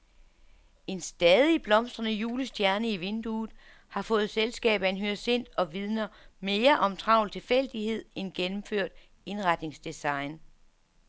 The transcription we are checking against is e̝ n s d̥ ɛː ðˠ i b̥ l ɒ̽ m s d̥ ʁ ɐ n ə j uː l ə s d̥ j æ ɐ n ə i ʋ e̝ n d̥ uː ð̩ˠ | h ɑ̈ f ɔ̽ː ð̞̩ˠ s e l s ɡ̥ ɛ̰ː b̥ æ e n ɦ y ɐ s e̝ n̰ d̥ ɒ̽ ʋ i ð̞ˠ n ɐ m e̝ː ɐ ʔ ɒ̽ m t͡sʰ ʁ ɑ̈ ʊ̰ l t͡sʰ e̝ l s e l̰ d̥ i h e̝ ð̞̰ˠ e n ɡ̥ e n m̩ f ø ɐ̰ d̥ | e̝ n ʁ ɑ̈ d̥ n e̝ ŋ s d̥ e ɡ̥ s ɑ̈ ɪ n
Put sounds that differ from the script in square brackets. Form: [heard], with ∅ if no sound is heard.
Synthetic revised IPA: e̝ n s d̥ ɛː ðˠ i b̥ l ɒ̽ m s d̥ ʁ ɐ n ə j uː l ə s d̥ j æ ɐ n ə i ʋ e̝ n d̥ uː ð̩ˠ | h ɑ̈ f ɔ̽ː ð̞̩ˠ s e l s ɡ̥ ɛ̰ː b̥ æ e n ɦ y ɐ s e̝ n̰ d̥ ɒ̽ ʋ i ð̞ˠ n ɐ m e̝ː ɐ ʔ ɒ̽ m t͡sʰ ʁ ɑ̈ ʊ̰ l t͡sʰ e̝ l [f] e l̰ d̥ i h e̝ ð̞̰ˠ e n ɡ̥ e n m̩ f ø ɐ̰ d̥ | e̝ n ʁ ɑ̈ d̥ n e̝ ŋ s d̥ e [∅] s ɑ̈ ɪ n